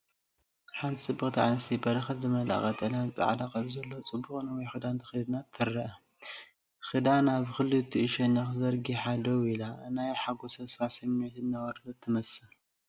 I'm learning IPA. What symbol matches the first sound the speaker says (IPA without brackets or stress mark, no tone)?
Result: ħ